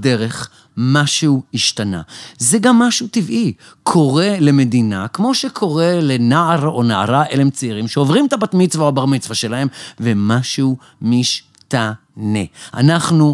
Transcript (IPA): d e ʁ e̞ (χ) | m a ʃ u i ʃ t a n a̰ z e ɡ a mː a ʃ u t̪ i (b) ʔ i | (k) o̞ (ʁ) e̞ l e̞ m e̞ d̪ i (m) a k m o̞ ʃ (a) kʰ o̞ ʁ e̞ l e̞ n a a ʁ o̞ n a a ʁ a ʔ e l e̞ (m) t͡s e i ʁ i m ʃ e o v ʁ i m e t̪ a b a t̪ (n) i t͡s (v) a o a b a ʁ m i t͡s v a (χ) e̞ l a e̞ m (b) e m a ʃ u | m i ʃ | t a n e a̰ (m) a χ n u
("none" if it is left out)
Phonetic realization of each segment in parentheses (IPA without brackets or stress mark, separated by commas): χ, v, kʰ, ʁ, n, e, m, m, v, ʃ, v, n